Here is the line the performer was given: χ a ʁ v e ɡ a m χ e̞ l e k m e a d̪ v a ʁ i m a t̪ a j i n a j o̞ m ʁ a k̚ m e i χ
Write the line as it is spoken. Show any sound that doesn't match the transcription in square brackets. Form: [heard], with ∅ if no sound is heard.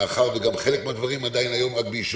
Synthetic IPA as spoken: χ a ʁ v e ɡ a m χ e̞ l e k m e a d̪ v a ʁ i m a [d̪] a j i n a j o̞ m ʁ a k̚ [b] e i [ʃ]